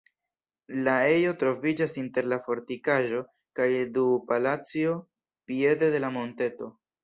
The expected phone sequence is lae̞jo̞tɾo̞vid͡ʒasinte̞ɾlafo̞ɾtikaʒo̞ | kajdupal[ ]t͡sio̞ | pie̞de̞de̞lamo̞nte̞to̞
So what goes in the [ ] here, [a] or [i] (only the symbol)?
a